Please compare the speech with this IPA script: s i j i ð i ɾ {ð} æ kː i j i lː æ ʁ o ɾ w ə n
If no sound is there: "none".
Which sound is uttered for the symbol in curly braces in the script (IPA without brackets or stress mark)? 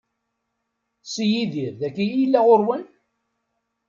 ð